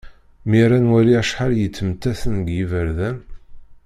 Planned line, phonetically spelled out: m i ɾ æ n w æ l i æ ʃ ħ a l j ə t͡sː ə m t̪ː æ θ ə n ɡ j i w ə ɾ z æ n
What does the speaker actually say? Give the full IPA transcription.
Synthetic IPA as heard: m i ɾ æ n w æ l i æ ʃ ħ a l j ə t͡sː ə m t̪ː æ θ ə n ɡ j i v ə ɾ ð æ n